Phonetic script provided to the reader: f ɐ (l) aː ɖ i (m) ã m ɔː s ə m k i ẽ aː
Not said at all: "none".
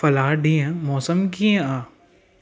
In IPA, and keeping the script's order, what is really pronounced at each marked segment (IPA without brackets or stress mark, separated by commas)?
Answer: l, none